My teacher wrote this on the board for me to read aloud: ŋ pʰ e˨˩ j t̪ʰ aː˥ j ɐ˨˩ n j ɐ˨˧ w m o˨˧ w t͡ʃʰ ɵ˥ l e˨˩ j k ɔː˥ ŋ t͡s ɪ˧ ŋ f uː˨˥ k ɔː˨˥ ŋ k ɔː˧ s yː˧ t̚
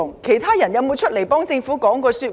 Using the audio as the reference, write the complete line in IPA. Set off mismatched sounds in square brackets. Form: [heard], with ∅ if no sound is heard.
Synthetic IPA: ŋ [kʰ] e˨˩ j t̪ʰ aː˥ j ɐ˨˩ n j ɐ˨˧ w m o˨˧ w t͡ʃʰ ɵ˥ l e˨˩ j [p] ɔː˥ ŋ t͡s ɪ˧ ŋ f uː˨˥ k ɔː˨˥ ŋ k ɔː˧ s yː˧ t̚